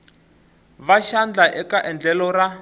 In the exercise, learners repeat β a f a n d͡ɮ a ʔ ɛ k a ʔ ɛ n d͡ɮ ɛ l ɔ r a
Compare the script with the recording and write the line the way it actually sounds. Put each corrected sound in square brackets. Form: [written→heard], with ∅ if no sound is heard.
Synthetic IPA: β a [f→ʃ] a n d͡ɮ a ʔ ɛ k a ʔ ɛ n d͡ɮ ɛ l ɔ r a

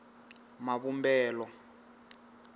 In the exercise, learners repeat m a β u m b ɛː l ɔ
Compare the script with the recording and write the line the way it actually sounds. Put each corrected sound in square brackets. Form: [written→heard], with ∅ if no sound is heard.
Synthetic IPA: m a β u m b ɛː l ɔ

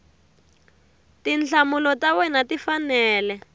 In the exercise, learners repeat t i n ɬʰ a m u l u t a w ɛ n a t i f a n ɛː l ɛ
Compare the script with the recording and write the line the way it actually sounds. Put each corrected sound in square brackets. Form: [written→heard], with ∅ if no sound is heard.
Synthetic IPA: t i n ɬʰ a m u l [u→ɔ] t a w ɛ n a t i f a n ɛː l ɛ

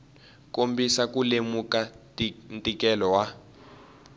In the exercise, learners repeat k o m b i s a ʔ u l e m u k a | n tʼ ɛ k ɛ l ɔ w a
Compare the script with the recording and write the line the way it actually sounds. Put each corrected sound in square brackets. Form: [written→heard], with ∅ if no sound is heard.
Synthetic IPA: k o m b i s a [ʔ→k] u l e m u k a | n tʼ [ɛ→i] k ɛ l ɔ w a

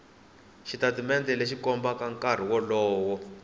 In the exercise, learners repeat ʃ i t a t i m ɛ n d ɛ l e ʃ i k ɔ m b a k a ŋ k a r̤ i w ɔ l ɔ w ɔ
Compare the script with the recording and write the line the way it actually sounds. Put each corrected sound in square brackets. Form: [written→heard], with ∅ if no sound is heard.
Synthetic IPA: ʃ i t a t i m ɛ n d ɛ l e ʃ i k ɔ m b a k a ŋ k a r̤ i w ɔ l [ɔ→ɔː] w ɔ

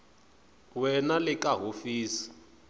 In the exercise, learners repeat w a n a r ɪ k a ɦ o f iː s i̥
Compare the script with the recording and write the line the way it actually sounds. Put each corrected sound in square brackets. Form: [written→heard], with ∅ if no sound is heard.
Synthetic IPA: w [a→ɛ] n a [r→l] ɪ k a ɦ o f iː s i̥

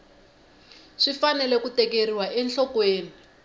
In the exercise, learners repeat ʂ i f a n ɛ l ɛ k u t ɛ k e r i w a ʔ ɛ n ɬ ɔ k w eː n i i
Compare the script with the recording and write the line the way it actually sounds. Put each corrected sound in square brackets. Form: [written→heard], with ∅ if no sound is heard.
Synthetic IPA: ʂ i f a n ɛ l ɛ k u t ɛ k e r i w a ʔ ɛ n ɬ ɔ k w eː n i i

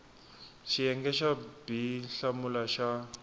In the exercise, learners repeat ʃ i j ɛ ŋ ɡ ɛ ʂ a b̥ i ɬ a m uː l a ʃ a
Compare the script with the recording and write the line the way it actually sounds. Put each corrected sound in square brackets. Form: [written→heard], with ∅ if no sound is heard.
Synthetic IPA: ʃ i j ɛ ŋ ɡ ɛ [ʂ→ʃ] a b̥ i ɬ a m [uː→u] l a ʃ a

